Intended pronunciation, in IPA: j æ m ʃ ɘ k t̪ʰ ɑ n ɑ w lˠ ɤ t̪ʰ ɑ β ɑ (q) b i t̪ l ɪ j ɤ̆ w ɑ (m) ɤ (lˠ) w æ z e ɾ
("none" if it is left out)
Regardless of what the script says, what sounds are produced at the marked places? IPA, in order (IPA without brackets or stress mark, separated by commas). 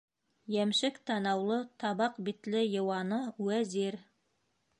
q, n, none